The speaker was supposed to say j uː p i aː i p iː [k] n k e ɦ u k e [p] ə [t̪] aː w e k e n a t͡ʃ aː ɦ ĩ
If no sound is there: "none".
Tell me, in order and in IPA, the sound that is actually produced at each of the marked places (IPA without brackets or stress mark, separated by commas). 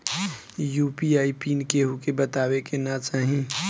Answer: none, b, t̪